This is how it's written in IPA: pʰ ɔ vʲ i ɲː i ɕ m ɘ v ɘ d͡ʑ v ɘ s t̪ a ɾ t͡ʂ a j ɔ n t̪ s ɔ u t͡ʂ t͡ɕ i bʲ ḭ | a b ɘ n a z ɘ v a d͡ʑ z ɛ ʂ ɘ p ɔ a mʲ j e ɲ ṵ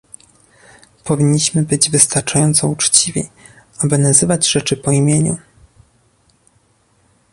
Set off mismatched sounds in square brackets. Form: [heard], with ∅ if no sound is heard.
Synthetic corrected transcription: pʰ ɔ vʲ i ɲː i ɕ m ɘ [b] ɘ d͡ʑ v ɘ s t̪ a ɾ t͡ʂ a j ɔ n t̪ s ɔ u t͡ʂ t͡ɕ i [vʲ] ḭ | a b ɘ n a z ɘ v a d͡ʑ [ʐ] ɛ [t͡ʂ] ɘ p ɔ [i] mʲ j e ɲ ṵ